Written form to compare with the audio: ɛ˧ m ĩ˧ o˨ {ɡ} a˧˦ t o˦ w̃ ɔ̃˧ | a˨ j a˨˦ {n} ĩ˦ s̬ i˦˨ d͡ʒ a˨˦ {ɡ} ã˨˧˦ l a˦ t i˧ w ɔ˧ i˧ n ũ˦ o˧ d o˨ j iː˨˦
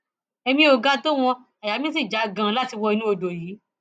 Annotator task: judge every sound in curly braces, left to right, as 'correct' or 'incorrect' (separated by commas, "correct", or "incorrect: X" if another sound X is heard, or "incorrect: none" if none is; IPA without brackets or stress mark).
correct, incorrect: m, correct